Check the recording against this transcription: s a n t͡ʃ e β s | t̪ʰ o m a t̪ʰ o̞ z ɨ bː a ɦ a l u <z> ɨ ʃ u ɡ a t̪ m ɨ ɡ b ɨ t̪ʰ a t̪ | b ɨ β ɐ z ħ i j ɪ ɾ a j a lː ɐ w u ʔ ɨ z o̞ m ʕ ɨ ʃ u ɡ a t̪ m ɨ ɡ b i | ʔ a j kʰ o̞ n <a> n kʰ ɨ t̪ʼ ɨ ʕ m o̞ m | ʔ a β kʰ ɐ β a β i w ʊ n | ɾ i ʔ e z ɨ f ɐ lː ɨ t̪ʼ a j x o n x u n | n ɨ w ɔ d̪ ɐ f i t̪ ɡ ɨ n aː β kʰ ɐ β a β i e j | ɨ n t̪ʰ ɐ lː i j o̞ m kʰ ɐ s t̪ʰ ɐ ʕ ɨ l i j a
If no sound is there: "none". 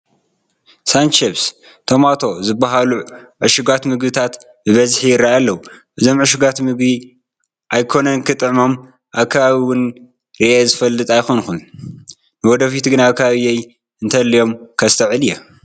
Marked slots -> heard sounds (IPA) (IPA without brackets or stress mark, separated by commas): ʕ, ɐ